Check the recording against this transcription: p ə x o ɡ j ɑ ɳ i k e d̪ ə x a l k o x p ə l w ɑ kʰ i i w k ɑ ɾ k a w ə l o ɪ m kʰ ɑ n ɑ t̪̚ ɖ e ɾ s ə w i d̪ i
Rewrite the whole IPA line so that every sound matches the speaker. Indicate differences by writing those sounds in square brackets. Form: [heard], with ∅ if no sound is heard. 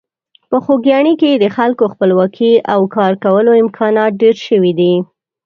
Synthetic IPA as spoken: p ə x o ɡ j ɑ ɳ i k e d̪ ə x a l k o x p ə l w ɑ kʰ i [a] w k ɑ ɾ k a w ə l o ɪ m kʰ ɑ n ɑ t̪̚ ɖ e ɾ [ʃ] ə w i d̪ i

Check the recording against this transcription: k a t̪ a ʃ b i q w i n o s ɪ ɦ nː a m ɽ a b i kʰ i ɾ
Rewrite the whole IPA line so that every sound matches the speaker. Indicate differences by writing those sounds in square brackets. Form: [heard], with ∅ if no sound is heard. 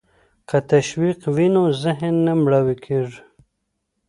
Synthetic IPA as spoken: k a t̪ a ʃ [w] i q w i n o [z] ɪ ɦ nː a m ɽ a [w] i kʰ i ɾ

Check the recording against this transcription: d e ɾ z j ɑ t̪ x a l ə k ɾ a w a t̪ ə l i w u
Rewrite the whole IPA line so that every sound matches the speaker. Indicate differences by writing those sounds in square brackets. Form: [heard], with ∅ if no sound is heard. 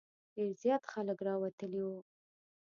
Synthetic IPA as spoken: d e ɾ z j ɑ t̪ x a l ə k ɾ [ɑ] w a t̪ ə l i w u

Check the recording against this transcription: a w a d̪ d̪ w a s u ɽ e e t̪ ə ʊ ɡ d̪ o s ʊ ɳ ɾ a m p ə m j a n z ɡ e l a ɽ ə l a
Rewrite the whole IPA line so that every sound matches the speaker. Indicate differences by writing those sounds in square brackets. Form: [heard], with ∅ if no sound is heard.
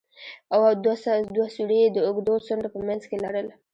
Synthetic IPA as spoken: a w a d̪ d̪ w a s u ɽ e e [d̪] ə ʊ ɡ d̪ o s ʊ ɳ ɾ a [∅] p ə m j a n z [k] e l a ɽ ə l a

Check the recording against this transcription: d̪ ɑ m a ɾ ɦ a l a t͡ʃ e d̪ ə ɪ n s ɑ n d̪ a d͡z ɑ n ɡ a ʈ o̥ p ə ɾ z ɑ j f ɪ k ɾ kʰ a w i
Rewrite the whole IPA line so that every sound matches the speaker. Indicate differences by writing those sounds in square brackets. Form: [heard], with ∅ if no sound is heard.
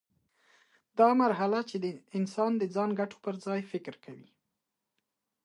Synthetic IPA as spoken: d̪ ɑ m a ɾ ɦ a l a t͡ʃ e d̪ ə ɪ n s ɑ n d̪ [ə] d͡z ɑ n ɡ a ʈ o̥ p ə ɾ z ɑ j f ɪ k ɾ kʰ a w i

